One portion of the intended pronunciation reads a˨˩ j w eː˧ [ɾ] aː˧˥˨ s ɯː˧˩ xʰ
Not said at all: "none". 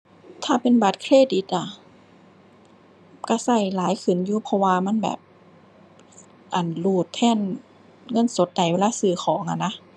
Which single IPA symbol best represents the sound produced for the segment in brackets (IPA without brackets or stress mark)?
l